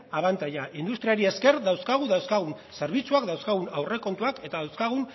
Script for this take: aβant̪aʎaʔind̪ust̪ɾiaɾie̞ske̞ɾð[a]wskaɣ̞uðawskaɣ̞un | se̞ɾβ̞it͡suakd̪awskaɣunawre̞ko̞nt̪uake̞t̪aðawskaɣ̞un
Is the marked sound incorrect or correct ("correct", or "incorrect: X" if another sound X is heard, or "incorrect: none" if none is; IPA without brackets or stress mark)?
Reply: correct